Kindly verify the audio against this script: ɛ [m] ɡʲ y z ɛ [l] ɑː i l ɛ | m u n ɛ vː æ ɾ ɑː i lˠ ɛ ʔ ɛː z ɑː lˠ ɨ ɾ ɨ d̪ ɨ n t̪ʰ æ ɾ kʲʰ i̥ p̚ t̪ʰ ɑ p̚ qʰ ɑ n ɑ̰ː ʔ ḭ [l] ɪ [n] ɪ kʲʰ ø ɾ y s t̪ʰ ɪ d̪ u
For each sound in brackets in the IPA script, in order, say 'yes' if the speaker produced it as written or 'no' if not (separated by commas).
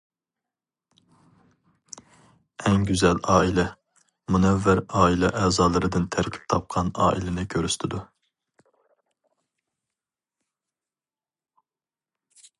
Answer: no, yes, yes, yes